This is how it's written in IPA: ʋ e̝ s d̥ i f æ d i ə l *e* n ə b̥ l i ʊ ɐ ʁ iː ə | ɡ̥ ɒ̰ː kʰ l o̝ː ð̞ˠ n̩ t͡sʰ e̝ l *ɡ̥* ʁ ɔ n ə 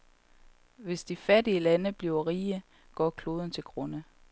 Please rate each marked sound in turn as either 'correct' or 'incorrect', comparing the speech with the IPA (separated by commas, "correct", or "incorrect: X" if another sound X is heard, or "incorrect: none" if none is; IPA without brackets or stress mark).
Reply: incorrect: æ, correct